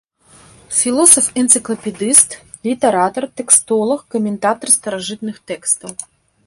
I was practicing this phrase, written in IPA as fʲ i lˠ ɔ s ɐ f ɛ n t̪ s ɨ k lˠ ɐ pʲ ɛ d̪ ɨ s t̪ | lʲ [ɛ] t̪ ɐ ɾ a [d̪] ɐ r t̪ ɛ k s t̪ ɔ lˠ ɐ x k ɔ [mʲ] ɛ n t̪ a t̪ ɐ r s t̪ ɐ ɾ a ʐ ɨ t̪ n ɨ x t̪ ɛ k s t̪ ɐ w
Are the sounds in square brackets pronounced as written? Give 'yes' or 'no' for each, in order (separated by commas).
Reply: no, no, yes